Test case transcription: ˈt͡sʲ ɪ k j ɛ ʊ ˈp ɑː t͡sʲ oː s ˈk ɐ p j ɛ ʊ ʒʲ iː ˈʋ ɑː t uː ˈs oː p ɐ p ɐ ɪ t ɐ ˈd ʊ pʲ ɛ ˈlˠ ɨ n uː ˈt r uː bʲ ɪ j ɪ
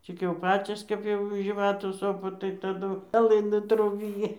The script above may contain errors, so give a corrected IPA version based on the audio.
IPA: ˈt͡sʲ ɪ k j ɛ ʊ ˈp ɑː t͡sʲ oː s ˈk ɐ p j ɛ ʊ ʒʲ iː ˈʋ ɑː t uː ˈs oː p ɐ t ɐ ɪ t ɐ ˈd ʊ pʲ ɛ ˈlˠ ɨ n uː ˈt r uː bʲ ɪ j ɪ